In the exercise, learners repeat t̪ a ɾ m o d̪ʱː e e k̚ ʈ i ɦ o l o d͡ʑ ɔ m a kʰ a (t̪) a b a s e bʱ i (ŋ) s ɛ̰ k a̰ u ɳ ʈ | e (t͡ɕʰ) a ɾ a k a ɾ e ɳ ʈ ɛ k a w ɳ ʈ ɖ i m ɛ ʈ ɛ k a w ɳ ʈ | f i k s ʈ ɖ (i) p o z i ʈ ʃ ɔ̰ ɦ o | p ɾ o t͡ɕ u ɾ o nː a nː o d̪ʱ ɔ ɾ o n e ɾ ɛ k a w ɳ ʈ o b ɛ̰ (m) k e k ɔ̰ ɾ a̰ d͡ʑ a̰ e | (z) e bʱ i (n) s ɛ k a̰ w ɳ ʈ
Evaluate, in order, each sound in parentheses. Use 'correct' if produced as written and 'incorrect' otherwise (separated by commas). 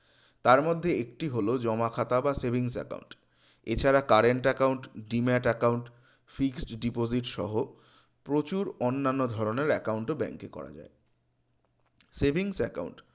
correct, correct, correct, correct, incorrect, incorrect, incorrect